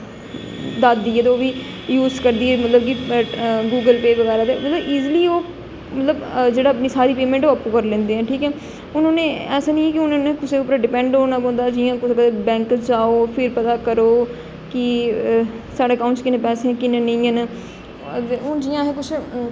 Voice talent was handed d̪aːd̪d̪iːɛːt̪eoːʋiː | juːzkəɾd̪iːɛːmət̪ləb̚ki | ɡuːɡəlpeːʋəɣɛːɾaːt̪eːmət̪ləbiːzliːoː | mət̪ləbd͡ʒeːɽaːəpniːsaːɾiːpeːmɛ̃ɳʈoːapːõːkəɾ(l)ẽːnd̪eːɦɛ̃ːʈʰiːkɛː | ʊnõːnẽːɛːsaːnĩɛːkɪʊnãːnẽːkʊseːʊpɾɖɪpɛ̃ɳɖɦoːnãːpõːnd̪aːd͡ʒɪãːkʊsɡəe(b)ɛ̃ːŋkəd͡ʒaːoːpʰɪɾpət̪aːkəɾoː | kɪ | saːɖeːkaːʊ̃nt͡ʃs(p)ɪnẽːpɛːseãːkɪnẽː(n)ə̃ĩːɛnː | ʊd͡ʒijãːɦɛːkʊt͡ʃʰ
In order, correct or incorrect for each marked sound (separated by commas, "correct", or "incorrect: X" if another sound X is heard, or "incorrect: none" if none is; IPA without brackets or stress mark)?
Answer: correct, correct, incorrect: k, correct